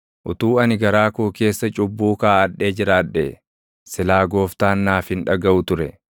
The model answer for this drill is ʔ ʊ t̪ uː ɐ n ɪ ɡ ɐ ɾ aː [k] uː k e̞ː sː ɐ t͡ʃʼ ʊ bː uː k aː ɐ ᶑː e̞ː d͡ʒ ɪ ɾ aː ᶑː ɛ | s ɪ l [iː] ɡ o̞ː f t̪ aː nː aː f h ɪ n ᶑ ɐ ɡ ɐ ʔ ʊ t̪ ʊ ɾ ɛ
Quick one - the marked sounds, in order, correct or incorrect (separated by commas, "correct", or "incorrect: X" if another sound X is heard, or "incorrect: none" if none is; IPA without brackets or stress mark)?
correct, incorrect: aː